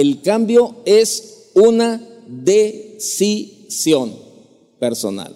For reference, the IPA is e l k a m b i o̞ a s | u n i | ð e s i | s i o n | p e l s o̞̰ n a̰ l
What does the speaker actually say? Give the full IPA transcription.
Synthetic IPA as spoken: e l k a m b j o̞ e s | u n a | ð e s i | s j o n | p e ɾ s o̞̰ n a̰ l